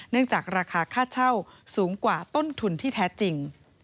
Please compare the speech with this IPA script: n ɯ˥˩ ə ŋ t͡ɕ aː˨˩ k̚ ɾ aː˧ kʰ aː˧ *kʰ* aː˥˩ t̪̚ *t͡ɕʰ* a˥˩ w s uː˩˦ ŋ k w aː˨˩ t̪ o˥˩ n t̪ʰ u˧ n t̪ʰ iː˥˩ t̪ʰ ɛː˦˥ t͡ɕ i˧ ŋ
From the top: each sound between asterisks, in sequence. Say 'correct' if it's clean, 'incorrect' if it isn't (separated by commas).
correct, correct